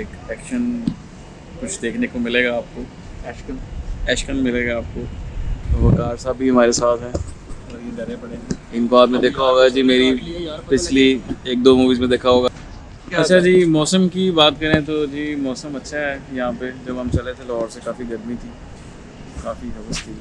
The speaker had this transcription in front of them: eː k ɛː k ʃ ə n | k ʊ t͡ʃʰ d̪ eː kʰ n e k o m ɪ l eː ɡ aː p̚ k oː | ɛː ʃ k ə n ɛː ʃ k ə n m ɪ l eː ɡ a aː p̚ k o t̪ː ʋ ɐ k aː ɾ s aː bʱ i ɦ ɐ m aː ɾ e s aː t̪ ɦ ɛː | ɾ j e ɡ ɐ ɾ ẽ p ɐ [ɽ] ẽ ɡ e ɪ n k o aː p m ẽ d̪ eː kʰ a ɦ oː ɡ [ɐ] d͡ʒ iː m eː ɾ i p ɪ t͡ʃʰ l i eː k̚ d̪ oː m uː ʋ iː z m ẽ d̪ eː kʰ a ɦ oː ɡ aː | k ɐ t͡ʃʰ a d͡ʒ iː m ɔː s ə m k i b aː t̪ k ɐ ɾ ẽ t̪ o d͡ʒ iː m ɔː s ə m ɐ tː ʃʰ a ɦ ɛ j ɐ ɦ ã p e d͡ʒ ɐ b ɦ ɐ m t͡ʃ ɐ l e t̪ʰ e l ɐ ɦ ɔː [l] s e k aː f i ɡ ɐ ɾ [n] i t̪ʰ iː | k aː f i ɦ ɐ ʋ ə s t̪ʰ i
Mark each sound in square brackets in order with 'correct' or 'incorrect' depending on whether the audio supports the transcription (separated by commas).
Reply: correct, incorrect, incorrect, incorrect